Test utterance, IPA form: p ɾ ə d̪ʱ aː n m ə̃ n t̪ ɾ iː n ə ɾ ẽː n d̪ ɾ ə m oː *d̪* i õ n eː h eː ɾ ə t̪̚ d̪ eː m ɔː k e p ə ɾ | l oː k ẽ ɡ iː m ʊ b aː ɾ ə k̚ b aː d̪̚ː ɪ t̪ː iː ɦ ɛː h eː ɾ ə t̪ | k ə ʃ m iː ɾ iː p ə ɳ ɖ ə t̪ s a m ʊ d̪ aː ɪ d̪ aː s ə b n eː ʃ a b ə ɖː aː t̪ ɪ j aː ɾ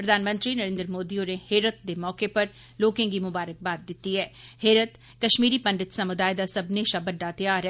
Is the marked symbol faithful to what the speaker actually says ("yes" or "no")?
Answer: yes